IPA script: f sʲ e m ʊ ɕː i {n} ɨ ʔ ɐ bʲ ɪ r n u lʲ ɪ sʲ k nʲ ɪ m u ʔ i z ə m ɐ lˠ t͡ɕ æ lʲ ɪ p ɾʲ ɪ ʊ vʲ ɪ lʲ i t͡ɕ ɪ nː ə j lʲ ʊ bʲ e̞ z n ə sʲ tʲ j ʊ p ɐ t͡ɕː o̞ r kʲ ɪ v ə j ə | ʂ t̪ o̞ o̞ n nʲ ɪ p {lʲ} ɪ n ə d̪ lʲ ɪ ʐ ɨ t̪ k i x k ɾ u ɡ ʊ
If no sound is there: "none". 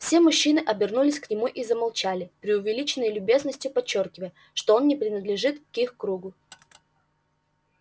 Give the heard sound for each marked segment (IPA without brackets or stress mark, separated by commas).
n, ɾʲ